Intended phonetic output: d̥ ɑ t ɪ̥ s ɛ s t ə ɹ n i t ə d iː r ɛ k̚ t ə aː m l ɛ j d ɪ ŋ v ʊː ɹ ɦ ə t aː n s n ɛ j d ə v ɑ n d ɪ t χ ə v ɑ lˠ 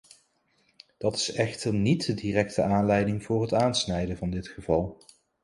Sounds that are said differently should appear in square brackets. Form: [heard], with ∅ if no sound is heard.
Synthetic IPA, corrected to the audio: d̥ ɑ t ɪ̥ s ɛ [χ] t ə ɹ n i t ə d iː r ɛ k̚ t ə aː [n] l ɛ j d ɪ ŋ v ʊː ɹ ɦ ə t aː n s n ɛ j d ə v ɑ n d ɪ t χ ə v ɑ lˠ